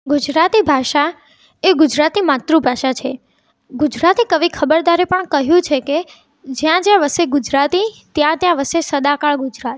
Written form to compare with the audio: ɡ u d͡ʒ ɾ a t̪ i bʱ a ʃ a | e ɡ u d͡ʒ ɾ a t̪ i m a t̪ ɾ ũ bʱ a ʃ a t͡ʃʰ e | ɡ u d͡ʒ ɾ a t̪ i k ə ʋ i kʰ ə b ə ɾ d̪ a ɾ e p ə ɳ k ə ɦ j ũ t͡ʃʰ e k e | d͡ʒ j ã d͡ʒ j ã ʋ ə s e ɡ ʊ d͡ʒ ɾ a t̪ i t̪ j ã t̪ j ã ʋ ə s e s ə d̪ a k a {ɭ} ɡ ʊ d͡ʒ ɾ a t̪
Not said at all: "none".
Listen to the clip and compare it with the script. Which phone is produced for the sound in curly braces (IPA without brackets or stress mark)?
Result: ɭ